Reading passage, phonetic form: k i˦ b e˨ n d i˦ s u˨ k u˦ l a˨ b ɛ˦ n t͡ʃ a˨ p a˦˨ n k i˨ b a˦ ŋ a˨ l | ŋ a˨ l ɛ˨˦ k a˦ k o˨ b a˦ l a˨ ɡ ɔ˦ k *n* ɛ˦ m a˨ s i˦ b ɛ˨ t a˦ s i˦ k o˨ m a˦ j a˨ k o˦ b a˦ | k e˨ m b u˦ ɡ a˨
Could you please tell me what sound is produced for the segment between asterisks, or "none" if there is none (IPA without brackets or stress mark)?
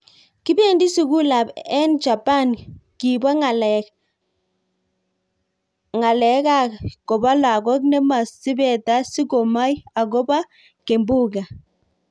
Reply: n